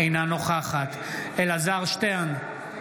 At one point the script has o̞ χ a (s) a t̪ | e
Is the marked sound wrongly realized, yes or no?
yes